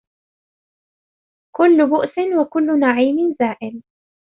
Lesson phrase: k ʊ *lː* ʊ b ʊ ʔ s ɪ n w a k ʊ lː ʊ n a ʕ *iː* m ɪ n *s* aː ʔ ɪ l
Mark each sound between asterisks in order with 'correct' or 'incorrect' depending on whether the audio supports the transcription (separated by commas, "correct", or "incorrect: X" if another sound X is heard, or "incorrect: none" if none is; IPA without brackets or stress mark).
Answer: correct, correct, incorrect: z